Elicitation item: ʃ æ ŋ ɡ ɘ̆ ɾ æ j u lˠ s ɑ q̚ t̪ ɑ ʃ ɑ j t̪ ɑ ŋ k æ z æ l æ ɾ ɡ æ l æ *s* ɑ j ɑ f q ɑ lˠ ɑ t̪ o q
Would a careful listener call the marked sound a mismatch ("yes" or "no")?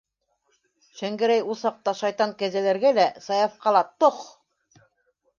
no